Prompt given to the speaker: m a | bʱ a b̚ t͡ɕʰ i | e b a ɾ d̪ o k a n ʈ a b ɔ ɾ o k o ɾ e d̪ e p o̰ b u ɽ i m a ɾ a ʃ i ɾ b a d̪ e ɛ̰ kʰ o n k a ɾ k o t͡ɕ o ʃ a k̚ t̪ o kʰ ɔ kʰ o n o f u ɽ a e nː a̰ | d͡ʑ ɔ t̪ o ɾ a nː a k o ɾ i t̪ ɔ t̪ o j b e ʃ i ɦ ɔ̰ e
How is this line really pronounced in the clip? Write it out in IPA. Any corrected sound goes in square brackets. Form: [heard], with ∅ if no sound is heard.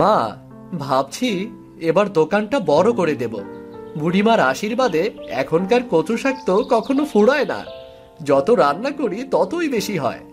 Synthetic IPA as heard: m a | bʱ a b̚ t͡ɕʰ i | e b a ɾ d̪ o k a n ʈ a b ɔ ɾ o k o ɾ e d̪ e [b] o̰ b u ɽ i m a ɾ a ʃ i ɾ b a d̪ e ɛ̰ kʰ o n k a ɾ k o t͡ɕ o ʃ a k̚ t̪ o [k] ɔ kʰ o n o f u ɽ a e [n] a̰ | d͡ʑ ɔ t̪ o ɾ a nː a k o ɾ i t̪ ɔ t̪ o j b e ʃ i ɦ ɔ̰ e